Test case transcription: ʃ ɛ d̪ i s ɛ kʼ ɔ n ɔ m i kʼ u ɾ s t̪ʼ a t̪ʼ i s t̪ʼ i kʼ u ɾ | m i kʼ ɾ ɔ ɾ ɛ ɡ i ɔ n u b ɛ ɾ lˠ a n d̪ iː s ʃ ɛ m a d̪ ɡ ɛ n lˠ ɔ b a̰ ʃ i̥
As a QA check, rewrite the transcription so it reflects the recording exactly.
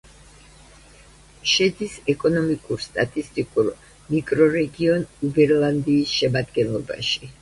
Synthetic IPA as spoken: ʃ ɛ d̪ i s ɛ kʼ ɔ n ɔ m i kʼ u ɾ s t̪ʼ a t̪ʼ i s t̪ʼ i kʼ u ɾ | m i kʼ ɾ ɔ ɾ ɛ ɡ i ɔ n u b ɛ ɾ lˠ a n d̪ iː s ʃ ɛ m a d̪ ɡ ɛ n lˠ ɔ b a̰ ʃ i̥

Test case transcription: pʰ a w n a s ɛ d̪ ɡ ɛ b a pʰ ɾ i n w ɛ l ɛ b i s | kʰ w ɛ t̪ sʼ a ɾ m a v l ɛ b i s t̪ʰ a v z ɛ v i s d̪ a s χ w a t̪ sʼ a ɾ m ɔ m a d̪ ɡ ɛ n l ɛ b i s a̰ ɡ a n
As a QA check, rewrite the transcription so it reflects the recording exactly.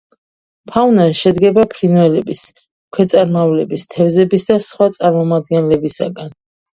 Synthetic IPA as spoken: pʰ a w n a ʃ ɛ d̪ ɡ ɛ b a pʰ ɾ i n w ɛ l ɛ b i s | kʰ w ɛ t̪ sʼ a ɾ m a v l ɛ b i s t̪ʰ ɛ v z ɛ b i s d̪ a s χ w a t̪ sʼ a ɾ m ɔ m a d̪ ɡ ɛ n l ɛ b i s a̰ ɡ a n

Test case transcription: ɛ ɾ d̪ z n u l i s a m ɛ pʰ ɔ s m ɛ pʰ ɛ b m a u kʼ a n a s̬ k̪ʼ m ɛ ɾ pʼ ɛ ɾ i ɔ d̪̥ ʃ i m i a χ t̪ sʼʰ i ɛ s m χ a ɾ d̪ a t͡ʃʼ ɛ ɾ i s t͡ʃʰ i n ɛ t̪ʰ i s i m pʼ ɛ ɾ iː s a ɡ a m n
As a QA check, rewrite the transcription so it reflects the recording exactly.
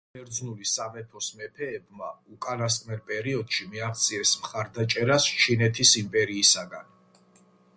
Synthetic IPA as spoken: ɛ ɾ d̪ z n u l i s a m ɛ pʰ ɔ s m ɛ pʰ ɛː b m a u kʼ a n a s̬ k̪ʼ m ɛ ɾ pʼ ɛ ɾ i ɔ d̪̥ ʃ i m i a χ t̪ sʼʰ i ɛ s m χ a ɾ d̪ a t͡ʃʼ ɛ ɾ a s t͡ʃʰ i n ɛ t̪ʰ i s i m pʼ ɛ ɾ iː s a ɡ a n

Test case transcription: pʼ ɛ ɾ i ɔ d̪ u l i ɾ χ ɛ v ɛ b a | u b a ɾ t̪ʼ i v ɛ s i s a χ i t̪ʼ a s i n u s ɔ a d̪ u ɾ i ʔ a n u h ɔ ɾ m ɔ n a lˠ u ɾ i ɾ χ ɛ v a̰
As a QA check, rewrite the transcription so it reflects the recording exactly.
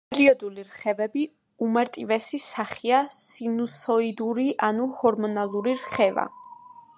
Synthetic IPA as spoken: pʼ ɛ ɾ i ɔ d̪ u l i ɾ χ ɛ v ɛ b i | u m a ɾ t̪ʼ i v ɛ s i s a χ i a s i n u s ɔ i d̪ u ɾ i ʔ a n u h ɔ ɾ m ɔ n a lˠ u ɾ i ɾ χ ɛ v a̰

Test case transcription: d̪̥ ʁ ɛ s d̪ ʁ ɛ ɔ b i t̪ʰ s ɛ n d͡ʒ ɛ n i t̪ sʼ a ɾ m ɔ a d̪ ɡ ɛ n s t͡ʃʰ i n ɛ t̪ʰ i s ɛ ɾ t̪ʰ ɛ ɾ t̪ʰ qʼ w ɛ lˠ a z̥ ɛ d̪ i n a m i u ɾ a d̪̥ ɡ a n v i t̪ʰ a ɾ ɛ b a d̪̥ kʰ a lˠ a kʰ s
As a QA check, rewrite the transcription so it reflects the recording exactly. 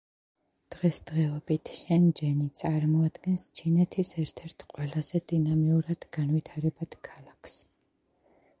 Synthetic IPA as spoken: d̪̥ ʁ ɛ s d̪ ʁ ɛ ɔ b i t̪ʰ ʃ ɛ n d͡ʒ ɛ n i t̪ sʼ a ɾ m ɔ a d̪ ɡ ɛ n s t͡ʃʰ i n ɛ t̪ʰ i s ɛ ɾ t̪ʰ ɛ ɾ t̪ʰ qʼ w ɛ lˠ a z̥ ɛ d̪ i n a m i u ɾ a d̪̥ ɡ a n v i t̪ʰ a ɾ ɛ b a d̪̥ kʰ a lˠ a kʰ s

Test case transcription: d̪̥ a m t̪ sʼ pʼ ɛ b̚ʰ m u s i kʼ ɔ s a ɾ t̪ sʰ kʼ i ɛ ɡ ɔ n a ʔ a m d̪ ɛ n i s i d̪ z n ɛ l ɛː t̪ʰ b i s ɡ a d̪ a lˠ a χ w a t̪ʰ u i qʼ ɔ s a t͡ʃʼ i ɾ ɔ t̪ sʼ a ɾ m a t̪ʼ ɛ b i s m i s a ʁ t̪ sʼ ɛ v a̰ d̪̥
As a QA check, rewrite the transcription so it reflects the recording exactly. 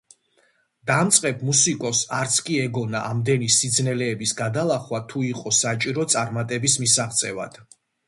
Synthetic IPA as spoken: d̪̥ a m t̪ sʼ qʼ ɛ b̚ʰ m u s i kʼ ɔ s a ɾ t̪ sʰ kʼ i ɛ ɡ ɔ n a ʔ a m d̪ ɛ n i s i d̪ z n ɛ l ɛː b i s ɡ a d̪ a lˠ a χ w a t̪ʰ u i qʼ ɔ s a t͡ʃʼ i ɾ ɔ t̪ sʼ a ɾ m a t̪ʼ ɛ b i s m i s a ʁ t̪ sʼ ɛ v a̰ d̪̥

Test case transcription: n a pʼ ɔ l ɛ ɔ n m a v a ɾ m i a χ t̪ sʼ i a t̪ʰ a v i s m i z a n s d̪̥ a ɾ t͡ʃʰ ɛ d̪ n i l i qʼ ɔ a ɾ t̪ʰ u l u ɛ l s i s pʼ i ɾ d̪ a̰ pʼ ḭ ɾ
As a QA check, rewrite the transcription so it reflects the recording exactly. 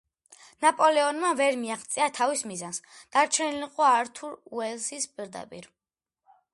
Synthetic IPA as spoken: n a pʼ ɔ l ɛ ɔ n m a v ɛ ɾ m i a χ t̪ sʼ i a t̪ʰ a v i s m i z a n s d̪̥ a ɾ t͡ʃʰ ɛ n i l i qʼ ɔ a ɾ t̪ʰ u ɾ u ɛ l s i s pʼ i ɾ d̪ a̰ pʼ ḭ ɾ

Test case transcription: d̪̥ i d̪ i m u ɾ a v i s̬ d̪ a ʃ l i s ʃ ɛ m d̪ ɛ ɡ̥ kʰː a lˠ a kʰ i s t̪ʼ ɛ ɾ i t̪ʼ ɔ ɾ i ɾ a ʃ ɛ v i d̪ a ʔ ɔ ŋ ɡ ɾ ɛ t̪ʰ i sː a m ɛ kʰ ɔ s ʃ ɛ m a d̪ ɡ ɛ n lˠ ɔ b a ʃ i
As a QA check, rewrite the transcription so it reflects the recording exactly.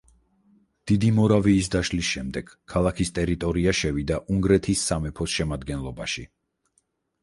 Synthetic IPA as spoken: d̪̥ i d̪ i m ɔ ɾ a v iː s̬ d̪ a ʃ l i s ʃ ɛ m d̪ ɛ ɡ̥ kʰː a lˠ a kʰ i s t̪ʼ ɛ ɾ i t̪ʼ ɔ ɾ i a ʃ ɛ v i d̪ a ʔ u ŋ ɡ ɾ ɛ t̪ʰ i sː a m ɛ pʰ ɔ s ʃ ɛ m a d̪ ɡ ɛ n lˠ ɔ b a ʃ i

